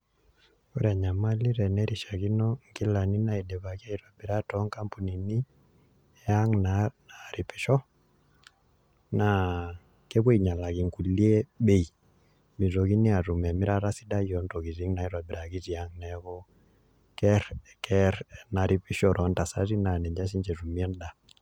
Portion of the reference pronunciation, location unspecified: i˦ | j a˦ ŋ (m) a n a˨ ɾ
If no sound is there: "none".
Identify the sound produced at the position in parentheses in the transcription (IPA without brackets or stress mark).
n